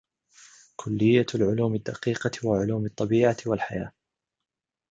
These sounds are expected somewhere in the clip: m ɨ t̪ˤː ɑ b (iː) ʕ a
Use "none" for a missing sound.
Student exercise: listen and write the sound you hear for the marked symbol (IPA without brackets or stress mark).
iː